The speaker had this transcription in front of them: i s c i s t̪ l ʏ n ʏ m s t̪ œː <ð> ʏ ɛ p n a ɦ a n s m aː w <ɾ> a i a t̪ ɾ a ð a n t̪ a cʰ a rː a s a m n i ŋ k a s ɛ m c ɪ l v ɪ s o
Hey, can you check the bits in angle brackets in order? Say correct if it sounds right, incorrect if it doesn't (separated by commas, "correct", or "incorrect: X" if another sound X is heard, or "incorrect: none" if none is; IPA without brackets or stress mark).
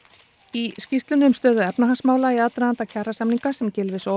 correct, incorrect: l